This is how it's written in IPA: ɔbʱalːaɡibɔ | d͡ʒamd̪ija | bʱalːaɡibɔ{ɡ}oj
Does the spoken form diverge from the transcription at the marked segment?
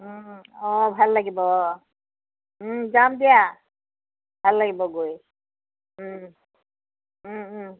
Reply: no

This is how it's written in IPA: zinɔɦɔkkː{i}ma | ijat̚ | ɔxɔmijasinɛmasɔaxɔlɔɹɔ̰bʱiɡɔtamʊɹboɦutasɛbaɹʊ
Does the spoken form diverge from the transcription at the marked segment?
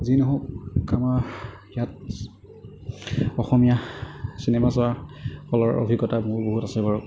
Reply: yes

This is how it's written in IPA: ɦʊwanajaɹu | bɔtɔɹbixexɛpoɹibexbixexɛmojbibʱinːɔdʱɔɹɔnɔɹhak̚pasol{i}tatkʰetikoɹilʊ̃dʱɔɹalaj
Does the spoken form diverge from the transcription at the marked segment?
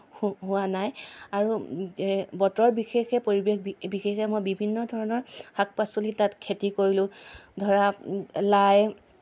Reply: no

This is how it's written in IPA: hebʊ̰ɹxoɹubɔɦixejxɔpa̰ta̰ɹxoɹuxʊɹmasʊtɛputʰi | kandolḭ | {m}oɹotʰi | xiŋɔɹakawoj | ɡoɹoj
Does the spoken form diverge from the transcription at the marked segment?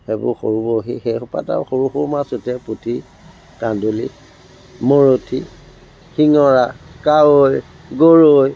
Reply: no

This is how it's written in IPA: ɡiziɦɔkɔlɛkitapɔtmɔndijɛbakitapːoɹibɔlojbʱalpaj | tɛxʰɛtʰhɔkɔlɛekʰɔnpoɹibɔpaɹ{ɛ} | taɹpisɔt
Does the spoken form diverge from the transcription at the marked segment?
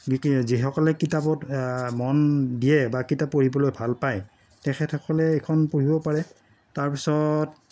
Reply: no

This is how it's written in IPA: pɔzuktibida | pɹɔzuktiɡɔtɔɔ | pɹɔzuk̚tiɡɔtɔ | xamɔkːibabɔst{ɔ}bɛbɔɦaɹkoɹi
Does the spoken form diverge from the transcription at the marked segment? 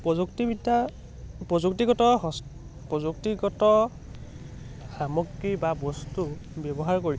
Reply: yes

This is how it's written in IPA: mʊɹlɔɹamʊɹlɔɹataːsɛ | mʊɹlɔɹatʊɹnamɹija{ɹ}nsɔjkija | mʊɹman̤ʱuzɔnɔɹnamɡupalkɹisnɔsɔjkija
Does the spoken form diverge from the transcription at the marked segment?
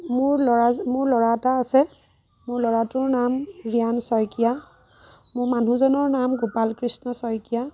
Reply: yes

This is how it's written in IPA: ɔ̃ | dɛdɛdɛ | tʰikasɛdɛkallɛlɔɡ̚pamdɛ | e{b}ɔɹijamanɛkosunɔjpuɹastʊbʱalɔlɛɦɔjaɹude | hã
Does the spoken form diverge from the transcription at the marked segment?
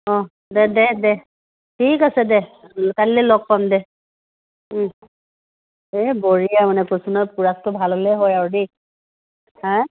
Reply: no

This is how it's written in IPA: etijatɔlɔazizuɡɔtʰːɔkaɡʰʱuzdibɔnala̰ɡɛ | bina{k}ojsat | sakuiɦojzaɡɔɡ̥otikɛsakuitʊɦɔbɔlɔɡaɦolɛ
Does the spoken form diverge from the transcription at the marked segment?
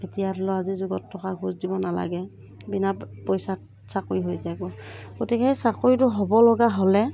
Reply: yes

